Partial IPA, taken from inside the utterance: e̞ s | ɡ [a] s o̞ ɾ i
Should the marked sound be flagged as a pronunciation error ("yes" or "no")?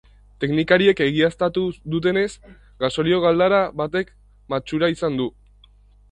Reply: no